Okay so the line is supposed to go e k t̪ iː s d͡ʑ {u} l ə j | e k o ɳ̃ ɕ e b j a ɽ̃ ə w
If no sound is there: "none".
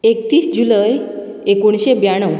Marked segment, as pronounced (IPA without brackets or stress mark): u